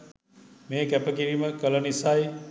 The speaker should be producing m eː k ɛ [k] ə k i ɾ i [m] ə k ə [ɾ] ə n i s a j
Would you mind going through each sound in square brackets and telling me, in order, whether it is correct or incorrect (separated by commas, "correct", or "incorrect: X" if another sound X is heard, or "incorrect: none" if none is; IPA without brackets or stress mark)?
incorrect: p, correct, incorrect: l